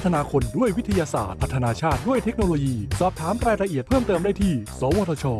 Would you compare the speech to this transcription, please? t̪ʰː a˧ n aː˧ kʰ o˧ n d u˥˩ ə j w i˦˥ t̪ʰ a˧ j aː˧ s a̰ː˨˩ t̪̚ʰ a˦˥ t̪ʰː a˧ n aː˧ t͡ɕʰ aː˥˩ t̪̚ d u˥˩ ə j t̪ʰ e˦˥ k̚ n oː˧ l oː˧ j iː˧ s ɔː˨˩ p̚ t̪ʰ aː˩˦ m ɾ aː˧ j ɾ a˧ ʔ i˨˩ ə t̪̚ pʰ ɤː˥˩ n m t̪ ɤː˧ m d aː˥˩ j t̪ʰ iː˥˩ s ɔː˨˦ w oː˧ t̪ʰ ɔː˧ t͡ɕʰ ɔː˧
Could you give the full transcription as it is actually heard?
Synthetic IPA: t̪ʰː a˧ n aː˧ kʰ o˧ n d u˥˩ ə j w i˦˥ t̪ʰ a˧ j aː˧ s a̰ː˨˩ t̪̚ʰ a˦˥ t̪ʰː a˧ n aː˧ t͡ɕʰ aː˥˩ t̪̚ d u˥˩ ə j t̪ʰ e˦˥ k̚ n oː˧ l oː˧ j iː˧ s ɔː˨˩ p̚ t̪ʰ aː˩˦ m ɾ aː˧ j ɾ a˧ ʔ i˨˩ ə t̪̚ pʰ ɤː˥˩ m t̪ ɤː˧ m d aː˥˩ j t̪ʰ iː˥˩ s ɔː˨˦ w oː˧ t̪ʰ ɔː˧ t͡ɕʰ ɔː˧

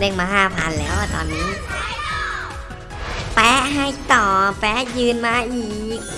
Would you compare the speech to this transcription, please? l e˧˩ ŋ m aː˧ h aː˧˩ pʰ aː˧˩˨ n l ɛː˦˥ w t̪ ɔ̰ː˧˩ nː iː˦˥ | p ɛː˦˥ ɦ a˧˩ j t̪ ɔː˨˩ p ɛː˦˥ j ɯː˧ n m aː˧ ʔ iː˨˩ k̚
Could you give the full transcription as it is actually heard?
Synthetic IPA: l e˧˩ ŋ m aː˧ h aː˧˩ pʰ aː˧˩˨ n l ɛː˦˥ w t̪ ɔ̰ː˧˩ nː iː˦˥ | p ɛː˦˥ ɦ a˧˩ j t̪ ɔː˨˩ p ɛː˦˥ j ɯː˧ n m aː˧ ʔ iː˨˩ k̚

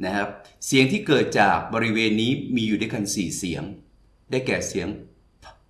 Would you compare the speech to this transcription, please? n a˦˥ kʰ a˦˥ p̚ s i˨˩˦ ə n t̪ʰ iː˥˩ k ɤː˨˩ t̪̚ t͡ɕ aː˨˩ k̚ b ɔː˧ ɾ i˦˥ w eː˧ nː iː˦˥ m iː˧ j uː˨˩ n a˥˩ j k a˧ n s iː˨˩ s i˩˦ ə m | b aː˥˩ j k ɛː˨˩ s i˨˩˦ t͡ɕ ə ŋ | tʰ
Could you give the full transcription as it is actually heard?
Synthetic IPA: n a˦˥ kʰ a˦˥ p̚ s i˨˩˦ ə ŋ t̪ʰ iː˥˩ k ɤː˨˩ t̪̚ t͡ɕ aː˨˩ k̚ b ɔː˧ ɾ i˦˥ w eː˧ nː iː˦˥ m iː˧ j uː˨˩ d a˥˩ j k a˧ n s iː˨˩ s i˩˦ ə ŋ | d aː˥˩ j k ɛː˨˩ s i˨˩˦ ə ŋ | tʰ

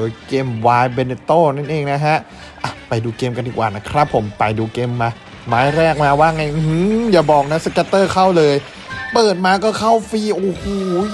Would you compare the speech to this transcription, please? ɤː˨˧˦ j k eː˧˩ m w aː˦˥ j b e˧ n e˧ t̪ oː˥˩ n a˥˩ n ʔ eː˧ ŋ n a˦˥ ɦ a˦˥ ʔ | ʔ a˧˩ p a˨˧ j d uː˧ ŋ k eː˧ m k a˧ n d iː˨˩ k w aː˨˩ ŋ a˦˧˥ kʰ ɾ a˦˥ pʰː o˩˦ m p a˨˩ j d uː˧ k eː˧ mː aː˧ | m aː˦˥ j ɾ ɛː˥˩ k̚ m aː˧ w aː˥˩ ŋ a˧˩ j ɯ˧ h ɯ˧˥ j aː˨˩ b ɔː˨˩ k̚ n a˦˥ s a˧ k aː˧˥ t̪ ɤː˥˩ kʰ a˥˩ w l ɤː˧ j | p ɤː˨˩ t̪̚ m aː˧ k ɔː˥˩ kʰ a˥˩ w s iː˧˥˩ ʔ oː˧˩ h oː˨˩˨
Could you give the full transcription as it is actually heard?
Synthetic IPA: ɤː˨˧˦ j k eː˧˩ m w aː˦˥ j b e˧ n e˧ t̪ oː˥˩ n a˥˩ n ʔ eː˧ ŋ n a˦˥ ɦ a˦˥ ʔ | ʔ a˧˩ p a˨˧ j d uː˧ k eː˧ m k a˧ n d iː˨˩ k w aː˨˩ n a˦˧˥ kʰ ɾ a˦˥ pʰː o˩˦ m p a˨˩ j d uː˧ k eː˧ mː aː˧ | m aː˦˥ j ɾ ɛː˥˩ k̚ m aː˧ w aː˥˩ ŋ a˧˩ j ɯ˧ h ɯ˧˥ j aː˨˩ b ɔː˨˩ k̚ n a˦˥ s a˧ k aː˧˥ t̪ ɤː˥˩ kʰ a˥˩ w l ɤː˧ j | p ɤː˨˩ t̪̚ m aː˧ k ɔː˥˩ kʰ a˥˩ w f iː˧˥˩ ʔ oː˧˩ h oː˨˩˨

